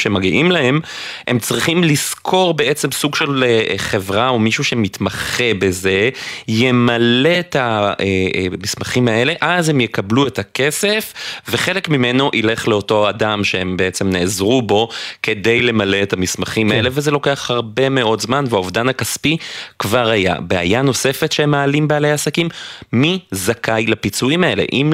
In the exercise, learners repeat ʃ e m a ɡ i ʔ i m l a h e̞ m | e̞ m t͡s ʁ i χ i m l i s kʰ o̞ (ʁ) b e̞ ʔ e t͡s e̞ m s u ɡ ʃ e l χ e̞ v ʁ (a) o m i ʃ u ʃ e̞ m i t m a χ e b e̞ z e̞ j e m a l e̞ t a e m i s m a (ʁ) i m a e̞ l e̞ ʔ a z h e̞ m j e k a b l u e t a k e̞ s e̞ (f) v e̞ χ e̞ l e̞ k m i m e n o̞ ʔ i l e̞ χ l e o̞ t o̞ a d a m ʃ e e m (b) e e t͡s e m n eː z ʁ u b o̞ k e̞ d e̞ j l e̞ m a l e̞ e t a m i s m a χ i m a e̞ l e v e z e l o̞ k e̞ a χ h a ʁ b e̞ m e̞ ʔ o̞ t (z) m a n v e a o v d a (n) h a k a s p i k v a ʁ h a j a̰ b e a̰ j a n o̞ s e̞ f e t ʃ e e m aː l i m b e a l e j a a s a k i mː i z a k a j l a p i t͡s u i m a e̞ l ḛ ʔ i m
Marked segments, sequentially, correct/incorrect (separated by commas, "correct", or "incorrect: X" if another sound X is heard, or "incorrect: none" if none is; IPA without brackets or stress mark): correct, correct, incorrect: χ, correct, correct, correct, correct